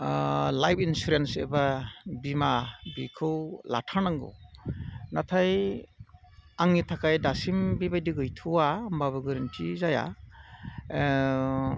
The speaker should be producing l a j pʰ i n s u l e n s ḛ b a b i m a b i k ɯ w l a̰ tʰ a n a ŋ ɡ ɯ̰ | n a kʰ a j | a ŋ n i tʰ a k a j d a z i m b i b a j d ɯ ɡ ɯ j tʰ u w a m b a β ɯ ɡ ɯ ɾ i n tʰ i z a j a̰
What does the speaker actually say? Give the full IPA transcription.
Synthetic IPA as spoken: l a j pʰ i n s u ɾ e n s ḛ b a b i m a b i kʰ ɯ w l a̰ tʰ a n a ŋ ɡ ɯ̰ | n a tʰ a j | a ŋ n i tʰ a k a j d a s i m b i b a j d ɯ ɡ ɯ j tʰ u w a m b a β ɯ ɡ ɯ ɾ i n tʰ i z a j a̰